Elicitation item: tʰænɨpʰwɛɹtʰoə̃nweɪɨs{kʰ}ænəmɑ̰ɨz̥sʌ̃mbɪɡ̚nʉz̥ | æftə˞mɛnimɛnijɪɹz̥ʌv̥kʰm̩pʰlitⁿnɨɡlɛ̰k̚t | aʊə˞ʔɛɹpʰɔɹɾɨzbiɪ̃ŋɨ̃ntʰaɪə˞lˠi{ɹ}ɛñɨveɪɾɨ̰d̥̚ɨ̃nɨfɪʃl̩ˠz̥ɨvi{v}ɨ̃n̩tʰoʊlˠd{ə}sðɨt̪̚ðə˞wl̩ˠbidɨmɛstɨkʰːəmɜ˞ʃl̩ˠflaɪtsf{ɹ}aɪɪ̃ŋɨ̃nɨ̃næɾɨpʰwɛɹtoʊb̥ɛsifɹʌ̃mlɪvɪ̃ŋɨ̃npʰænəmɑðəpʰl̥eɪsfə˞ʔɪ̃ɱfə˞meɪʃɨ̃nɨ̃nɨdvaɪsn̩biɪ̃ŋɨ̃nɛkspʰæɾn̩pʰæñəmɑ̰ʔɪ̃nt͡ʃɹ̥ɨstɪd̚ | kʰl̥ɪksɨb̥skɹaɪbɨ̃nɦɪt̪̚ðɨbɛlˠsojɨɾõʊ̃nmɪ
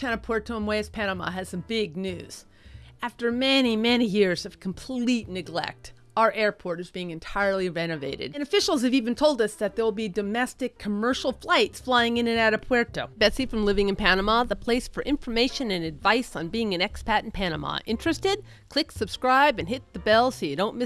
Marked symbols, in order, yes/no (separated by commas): no, yes, yes, no, no